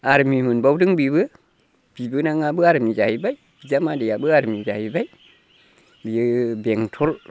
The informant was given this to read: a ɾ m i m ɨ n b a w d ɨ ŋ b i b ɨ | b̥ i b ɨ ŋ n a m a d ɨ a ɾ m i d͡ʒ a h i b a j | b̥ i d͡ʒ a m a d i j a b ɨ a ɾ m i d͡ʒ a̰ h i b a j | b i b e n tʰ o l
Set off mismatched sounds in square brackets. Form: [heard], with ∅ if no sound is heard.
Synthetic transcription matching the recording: a ɾ m i m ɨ n b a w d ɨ ŋ b i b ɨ | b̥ i b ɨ [∅] n a [ŋ] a [b] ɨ a ɾ m i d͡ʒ a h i b a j | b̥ i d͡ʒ a m a d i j a b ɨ a ɾ m i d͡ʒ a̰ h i b a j | b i b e [ŋ] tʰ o l